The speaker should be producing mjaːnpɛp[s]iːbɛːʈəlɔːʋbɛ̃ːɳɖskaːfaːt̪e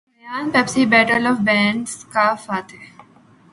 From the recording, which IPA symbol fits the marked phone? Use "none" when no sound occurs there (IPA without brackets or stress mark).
s